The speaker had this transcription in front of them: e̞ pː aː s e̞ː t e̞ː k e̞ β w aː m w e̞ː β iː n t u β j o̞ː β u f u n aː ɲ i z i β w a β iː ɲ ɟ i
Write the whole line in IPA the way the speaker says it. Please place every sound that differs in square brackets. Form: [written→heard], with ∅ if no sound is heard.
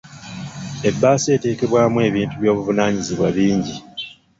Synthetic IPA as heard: e̞ [pː→bː] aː s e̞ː t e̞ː k e̞ β w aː m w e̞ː β iː n t u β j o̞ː β u [f→v] u n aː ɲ i z i β w a β iː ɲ ɟ i